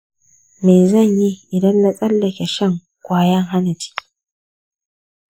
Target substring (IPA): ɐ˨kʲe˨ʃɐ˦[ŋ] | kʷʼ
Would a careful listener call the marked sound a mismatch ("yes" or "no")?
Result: no